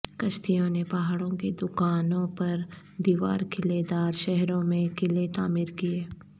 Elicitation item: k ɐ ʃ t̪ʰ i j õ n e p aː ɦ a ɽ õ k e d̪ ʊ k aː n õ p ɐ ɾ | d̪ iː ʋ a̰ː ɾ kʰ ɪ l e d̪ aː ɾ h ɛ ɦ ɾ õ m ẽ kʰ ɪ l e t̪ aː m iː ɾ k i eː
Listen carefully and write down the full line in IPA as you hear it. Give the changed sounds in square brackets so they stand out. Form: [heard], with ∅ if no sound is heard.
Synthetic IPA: k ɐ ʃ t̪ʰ i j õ n e p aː ɦ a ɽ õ k e d̪ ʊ k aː n õ p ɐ ɾ | d̪ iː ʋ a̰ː ɾ kʰ ɪ l e d̪ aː ɾ [ʃ] ɛ ɦ ɾ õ m ẽ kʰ ɪ l e t̪ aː m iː ɾ k i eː